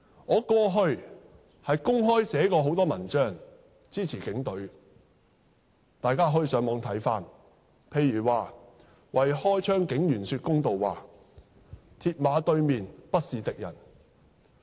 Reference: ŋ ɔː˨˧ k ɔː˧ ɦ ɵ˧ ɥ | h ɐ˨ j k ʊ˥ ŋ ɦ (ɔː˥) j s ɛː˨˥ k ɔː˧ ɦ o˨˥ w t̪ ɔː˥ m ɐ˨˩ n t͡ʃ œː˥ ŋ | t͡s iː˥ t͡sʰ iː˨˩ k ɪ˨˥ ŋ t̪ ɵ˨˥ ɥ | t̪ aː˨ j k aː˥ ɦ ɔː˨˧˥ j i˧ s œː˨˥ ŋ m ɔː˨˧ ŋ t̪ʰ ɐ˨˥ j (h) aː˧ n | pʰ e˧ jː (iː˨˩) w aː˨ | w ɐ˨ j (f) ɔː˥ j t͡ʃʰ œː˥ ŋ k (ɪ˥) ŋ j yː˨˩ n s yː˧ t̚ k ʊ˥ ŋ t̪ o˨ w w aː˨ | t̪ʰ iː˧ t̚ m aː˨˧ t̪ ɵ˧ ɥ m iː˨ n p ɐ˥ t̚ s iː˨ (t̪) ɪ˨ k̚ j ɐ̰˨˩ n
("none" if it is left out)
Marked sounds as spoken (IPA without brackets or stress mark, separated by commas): ɔː˥, f, yː˨˩, h, ɪ˨˥, t̪